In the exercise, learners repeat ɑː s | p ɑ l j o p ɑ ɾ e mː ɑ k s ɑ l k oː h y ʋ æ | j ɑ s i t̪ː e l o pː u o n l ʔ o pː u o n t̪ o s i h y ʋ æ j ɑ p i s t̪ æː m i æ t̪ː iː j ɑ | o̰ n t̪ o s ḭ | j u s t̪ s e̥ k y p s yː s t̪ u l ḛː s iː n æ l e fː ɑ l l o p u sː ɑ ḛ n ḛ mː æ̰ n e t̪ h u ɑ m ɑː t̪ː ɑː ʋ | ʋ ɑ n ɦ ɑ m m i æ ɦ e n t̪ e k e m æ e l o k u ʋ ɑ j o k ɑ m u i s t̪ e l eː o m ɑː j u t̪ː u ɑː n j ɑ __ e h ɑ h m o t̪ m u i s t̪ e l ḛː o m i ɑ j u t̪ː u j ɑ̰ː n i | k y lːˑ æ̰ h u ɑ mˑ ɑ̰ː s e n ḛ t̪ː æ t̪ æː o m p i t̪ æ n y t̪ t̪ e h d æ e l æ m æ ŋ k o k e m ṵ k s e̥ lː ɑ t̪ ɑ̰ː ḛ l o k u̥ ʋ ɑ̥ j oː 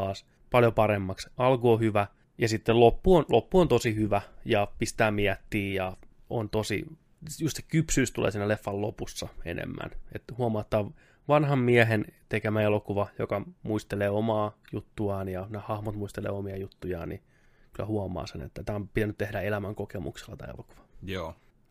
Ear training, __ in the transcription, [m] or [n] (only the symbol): n